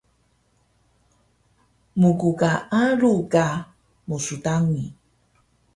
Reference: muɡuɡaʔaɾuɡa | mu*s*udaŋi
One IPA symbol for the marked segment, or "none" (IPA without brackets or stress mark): s